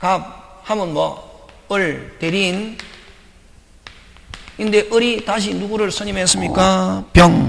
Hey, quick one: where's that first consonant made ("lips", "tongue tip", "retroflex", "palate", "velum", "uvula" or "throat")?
velum